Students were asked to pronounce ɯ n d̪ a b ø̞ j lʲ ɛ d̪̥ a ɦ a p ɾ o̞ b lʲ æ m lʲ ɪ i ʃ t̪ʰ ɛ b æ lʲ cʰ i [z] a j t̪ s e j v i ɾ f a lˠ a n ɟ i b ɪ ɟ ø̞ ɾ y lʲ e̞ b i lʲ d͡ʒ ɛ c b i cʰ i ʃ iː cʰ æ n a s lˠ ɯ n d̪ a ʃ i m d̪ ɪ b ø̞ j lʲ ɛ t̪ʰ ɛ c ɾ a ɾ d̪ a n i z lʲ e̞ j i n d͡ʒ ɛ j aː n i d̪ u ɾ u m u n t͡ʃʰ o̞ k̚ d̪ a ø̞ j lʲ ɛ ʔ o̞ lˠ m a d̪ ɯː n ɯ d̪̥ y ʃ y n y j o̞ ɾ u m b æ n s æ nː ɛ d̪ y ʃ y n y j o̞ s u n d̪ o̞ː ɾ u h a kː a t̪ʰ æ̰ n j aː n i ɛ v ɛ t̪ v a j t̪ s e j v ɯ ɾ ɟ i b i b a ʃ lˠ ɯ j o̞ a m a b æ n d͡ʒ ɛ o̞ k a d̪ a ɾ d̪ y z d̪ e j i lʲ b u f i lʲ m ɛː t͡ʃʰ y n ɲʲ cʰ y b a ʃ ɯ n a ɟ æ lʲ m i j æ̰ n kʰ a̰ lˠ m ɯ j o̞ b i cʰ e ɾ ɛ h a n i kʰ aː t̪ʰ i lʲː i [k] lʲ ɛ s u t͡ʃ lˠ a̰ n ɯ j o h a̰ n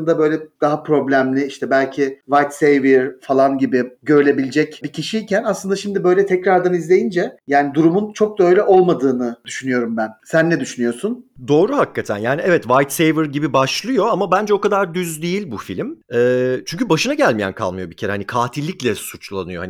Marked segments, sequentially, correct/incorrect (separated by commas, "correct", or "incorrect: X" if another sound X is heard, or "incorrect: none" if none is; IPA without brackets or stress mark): incorrect: v, incorrect: c